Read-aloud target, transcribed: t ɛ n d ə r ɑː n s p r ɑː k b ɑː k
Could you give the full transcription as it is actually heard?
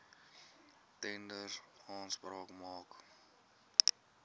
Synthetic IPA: t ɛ n d ə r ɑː n s p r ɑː k m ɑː k